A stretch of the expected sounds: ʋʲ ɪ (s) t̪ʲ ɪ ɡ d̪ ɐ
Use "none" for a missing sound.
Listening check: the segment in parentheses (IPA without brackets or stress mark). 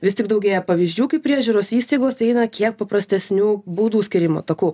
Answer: s